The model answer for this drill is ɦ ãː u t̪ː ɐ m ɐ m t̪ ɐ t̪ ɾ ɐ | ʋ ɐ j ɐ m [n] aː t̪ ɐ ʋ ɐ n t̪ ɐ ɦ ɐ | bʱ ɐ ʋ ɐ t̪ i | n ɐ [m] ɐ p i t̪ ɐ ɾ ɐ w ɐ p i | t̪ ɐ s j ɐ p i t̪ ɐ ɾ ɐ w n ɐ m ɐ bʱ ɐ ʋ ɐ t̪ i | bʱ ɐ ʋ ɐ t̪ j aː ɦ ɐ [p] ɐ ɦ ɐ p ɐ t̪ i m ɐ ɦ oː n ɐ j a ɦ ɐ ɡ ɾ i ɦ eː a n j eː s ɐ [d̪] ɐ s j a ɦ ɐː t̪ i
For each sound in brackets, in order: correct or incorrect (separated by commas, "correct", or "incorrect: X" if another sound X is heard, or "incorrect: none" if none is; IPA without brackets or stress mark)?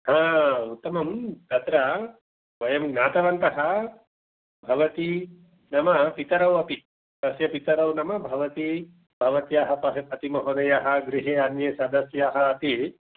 correct, correct, correct, correct